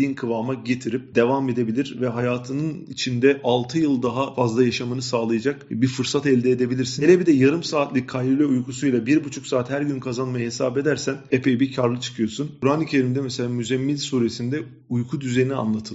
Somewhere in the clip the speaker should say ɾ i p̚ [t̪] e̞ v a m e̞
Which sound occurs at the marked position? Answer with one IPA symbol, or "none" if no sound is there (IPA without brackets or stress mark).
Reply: d̪